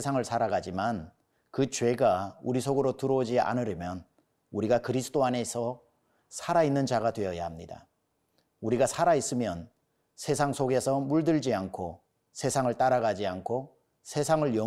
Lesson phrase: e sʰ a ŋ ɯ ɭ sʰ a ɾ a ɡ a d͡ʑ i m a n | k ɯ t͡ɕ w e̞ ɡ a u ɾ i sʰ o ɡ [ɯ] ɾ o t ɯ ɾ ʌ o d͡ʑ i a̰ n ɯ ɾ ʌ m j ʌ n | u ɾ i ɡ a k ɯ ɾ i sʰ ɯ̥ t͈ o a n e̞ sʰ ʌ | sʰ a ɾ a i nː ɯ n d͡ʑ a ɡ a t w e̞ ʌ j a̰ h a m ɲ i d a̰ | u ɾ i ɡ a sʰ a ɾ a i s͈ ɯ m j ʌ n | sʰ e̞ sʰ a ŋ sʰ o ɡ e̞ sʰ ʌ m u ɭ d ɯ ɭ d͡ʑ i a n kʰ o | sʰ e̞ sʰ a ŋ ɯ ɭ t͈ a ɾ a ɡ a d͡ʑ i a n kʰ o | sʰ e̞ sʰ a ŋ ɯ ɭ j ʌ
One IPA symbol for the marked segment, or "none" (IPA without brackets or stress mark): ɯ